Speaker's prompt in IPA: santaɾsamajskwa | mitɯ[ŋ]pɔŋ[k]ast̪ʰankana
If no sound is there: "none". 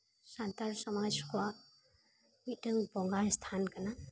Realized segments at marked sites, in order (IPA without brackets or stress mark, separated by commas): ŋ, ɡ